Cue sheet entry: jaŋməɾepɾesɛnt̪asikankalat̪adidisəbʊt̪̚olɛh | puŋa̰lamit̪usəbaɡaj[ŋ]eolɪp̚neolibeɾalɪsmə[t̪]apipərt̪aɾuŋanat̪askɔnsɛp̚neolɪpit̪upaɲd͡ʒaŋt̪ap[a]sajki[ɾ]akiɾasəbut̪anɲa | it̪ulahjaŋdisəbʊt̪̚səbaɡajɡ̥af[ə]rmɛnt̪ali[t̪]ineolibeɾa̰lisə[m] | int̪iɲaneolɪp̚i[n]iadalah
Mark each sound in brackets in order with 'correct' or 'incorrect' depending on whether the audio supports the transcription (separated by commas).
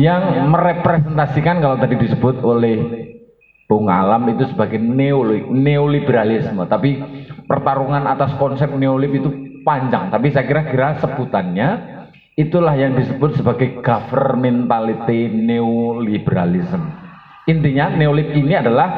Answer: incorrect, correct, incorrect, correct, correct, correct, correct, correct